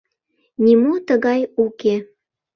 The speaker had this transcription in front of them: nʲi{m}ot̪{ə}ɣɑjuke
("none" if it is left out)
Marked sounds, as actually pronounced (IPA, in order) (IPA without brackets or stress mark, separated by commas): m, ə